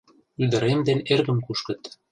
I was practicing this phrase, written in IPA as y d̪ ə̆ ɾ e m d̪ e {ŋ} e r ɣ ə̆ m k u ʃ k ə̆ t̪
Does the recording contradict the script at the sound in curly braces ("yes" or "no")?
yes